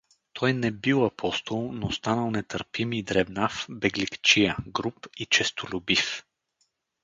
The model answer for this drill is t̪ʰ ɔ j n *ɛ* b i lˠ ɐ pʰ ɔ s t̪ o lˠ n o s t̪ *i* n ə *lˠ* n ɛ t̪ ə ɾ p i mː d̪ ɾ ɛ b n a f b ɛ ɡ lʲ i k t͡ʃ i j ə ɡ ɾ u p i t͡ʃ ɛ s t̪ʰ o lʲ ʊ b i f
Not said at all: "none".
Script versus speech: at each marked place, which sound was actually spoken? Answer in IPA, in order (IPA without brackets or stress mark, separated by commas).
ɛ, a, lˠ